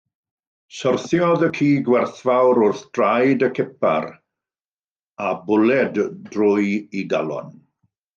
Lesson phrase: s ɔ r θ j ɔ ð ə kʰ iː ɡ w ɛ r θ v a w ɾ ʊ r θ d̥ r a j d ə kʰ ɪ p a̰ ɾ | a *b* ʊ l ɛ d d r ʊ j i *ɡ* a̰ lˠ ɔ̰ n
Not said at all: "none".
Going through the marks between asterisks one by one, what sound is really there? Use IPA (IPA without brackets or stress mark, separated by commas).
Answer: b, ɡ